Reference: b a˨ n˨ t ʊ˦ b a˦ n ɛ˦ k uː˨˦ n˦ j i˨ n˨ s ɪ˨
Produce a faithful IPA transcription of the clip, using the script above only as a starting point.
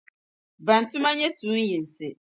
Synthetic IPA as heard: b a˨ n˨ t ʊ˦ m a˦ ɲ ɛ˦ t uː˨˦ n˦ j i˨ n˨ s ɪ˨